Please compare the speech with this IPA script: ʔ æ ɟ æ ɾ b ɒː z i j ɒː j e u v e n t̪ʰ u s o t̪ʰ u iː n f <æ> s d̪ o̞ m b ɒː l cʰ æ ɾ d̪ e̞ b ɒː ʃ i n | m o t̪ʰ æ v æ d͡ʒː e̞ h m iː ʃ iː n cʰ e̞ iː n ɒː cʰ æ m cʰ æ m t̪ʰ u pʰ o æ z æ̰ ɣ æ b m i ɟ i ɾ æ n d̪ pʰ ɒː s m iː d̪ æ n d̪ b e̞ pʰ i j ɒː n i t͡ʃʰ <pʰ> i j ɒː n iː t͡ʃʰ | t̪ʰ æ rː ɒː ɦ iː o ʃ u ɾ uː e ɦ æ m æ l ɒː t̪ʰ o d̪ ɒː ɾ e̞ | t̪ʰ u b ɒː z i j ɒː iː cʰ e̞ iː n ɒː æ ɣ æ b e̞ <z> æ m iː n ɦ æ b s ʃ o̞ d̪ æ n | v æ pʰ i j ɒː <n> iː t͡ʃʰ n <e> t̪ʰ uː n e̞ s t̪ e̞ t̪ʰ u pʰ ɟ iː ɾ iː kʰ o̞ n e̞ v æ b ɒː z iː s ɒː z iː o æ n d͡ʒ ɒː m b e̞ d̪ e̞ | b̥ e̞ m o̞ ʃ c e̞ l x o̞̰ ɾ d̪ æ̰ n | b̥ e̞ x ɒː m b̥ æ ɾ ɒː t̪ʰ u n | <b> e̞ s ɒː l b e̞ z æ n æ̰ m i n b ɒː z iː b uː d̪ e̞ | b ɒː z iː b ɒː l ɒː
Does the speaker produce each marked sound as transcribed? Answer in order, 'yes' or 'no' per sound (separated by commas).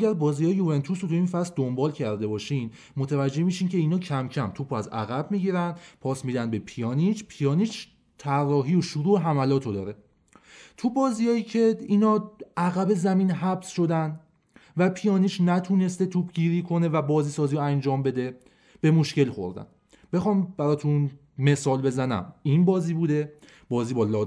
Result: yes, yes, yes, yes, no, no